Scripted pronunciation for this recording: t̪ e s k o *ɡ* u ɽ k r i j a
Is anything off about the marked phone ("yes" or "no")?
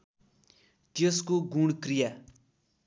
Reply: no